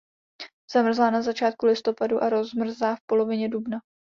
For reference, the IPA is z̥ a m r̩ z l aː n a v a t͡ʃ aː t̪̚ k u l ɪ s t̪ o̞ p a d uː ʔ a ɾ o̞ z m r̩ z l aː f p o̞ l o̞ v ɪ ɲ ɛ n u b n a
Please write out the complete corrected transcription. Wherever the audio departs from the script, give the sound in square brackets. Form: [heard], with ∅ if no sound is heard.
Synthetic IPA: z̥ a m r̩ z l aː n a [z] a t͡ʃ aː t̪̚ k u l ɪ s t̪ o̞ p a d [u] ʔ a ɾ o̞ z m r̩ z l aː f p o̞ l o̞ v ɪ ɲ ɛ [d] u b n a